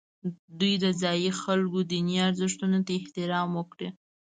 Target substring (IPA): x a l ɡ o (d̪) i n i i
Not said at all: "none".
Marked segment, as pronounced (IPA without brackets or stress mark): d̪